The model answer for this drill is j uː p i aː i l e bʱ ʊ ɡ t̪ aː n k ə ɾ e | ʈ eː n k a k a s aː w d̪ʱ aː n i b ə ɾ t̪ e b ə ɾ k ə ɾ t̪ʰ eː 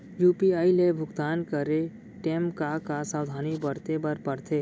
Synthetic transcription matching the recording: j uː p i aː i l e bʱ ʊ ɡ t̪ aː n k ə ɾ e | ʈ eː m k a k a s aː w d̪ʱ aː n i b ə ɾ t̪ e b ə ɾ p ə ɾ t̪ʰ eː